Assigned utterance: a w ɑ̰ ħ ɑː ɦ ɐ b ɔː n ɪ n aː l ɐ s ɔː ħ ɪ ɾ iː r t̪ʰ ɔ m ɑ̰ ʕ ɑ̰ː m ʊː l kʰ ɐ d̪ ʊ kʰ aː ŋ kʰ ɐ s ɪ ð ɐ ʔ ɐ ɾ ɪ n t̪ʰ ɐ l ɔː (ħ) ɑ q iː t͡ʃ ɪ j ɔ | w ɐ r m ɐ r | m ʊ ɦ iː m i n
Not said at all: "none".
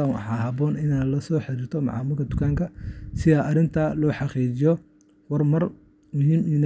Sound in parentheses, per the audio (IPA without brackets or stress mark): ħ